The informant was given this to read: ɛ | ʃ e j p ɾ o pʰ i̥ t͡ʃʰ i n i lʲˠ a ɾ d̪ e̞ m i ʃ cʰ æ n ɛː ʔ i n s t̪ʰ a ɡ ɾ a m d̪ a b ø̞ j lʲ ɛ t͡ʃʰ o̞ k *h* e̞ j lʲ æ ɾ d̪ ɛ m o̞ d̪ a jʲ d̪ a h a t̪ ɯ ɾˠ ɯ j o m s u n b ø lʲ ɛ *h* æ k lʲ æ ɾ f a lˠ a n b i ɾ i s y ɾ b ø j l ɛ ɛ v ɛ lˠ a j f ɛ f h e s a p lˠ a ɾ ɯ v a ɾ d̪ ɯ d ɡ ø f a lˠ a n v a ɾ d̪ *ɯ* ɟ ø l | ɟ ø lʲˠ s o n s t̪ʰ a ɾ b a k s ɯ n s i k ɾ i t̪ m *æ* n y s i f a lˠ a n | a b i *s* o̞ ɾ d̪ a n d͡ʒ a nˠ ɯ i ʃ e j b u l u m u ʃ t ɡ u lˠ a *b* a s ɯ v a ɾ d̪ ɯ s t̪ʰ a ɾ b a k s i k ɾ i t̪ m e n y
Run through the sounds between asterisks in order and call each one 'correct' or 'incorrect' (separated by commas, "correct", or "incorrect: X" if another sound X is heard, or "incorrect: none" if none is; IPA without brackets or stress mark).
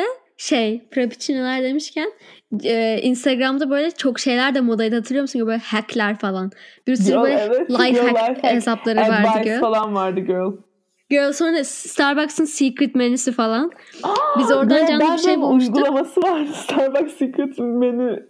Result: incorrect: ʃ, correct, correct, incorrect: e, incorrect: z, incorrect: m